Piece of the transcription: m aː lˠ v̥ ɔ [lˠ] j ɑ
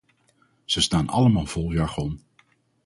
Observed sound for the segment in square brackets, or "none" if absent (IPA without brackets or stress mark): lˠ